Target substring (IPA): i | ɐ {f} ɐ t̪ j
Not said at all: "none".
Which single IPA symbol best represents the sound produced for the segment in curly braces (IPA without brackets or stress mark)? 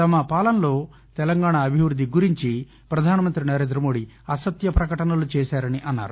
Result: s